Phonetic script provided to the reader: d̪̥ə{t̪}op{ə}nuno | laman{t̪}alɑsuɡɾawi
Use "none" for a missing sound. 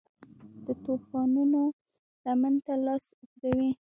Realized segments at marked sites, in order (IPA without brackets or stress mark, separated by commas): t̪, ɑ, t̪